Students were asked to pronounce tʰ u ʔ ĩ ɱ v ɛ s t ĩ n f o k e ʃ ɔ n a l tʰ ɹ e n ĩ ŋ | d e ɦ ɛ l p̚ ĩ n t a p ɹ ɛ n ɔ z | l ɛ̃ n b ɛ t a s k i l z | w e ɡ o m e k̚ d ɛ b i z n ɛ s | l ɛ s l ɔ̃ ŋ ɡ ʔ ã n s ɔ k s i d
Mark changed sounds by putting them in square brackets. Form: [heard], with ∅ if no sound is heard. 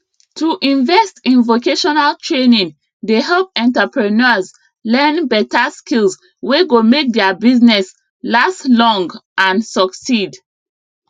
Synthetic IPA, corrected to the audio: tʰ u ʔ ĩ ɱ v ɛ s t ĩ n [v] o k e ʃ ɔ n a l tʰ ɹ e n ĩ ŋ | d e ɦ ɛ l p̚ [ɛ̃] n t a p ɹ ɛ n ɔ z | l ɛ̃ n b ɛ t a s k i l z | w e ɡ o m e k̚ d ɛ b i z n ɛ s | l [a] s l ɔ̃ ŋ ɡ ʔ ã n s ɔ k s i d